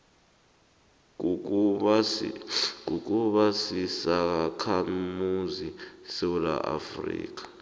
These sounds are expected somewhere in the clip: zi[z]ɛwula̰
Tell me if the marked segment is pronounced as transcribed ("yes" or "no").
no